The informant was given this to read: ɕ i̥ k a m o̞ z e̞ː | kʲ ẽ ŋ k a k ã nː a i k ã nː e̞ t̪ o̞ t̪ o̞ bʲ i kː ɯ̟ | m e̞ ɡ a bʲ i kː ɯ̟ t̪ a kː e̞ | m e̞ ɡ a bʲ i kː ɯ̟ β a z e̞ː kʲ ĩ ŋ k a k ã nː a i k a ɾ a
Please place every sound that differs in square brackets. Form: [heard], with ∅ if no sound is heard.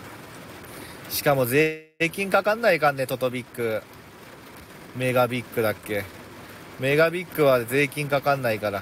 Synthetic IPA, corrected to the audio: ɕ i̥ k a m o̞ z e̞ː | kʲ [ĩ] ŋ k a k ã nː a i k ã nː e̞ t̪ o̞ t̪ o̞ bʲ i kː ɯ̟ | m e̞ ɡ a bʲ i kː ɯ̟ [d̪] a kː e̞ | m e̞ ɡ a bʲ i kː ɯ̟ β a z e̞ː kʲ ĩ ŋ k a k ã nː a i k a ɾ a